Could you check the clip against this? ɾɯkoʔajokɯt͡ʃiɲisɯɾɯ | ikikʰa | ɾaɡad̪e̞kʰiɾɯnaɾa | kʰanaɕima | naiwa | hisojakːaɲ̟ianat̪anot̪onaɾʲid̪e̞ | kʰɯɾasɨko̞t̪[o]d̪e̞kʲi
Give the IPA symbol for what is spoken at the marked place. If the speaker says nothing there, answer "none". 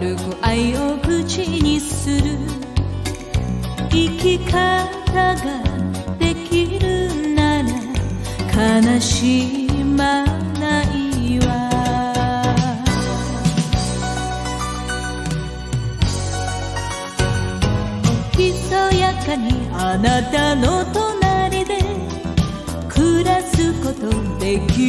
o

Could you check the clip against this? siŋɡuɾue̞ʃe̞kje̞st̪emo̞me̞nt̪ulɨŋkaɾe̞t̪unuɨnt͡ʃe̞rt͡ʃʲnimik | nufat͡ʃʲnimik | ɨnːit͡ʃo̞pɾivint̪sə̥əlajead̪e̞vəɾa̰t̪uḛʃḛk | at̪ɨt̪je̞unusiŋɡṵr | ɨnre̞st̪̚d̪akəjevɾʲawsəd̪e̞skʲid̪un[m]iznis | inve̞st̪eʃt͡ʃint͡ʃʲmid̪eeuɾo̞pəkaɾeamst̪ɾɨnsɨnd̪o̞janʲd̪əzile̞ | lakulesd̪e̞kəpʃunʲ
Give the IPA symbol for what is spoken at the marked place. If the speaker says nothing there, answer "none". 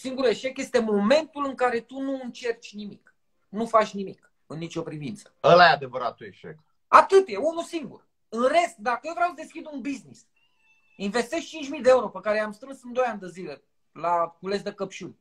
b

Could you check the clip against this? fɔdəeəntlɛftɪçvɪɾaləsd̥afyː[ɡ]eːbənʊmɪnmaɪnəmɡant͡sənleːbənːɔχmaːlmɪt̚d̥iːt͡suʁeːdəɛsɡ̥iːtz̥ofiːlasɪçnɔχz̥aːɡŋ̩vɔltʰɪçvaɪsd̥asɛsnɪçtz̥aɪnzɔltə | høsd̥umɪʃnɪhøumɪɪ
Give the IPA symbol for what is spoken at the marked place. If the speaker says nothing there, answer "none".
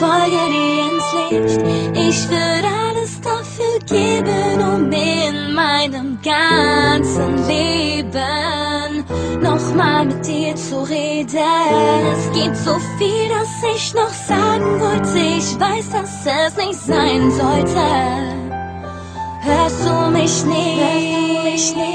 ɡ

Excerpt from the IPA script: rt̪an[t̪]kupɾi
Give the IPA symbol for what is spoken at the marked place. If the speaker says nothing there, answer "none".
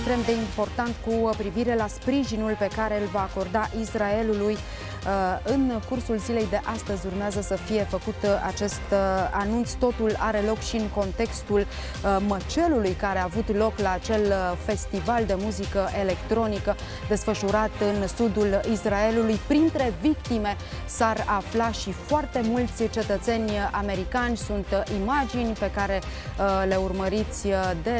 t̪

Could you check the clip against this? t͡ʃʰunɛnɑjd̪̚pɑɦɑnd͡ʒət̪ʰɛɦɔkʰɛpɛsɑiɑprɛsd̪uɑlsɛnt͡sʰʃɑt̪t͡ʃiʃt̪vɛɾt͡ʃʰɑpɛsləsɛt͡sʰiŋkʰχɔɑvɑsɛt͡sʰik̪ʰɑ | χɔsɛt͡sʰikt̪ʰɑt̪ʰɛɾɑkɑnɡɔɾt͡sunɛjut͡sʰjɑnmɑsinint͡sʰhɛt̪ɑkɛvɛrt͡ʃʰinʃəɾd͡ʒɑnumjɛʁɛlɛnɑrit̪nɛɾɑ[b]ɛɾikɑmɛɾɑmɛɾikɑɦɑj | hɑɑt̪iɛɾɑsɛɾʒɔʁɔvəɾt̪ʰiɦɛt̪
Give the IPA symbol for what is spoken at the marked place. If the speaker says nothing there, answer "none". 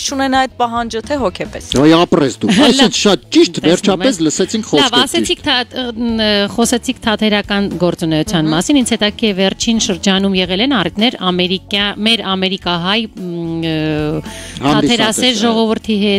m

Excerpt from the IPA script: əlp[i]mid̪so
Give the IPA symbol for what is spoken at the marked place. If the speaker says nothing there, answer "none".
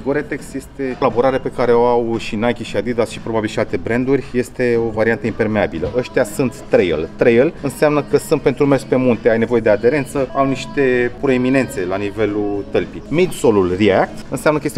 i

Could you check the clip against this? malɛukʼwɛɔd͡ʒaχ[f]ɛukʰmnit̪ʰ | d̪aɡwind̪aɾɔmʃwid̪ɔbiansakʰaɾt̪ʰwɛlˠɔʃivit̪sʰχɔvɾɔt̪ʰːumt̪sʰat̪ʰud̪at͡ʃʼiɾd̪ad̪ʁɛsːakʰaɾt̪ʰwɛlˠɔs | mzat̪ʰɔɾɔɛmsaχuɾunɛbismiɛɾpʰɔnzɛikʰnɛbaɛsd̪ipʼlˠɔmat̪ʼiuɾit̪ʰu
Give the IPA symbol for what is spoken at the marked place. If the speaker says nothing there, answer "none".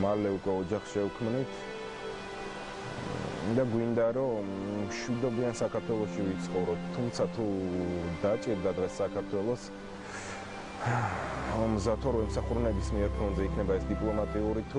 ʃ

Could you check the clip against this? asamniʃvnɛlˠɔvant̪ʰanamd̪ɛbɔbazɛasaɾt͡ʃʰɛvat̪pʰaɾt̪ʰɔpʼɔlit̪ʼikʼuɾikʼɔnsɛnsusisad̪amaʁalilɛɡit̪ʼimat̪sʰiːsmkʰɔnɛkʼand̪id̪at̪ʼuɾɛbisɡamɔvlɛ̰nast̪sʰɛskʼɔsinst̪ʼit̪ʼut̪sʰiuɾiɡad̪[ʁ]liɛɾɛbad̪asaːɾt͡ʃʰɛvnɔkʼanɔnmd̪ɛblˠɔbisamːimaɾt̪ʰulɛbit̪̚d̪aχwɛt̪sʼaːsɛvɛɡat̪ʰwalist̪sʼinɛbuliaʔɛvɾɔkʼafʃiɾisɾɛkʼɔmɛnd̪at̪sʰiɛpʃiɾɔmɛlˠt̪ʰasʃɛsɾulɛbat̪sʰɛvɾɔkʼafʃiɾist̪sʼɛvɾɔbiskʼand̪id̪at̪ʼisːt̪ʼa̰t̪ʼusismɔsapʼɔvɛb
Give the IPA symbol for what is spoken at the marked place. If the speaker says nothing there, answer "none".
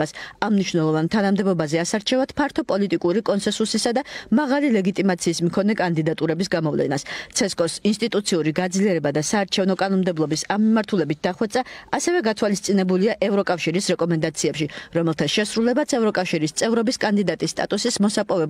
z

